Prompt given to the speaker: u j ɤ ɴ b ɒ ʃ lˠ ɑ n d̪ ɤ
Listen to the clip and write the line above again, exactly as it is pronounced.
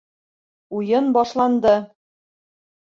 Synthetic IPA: u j ɤ n b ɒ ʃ lˠ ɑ n d̪ ɤ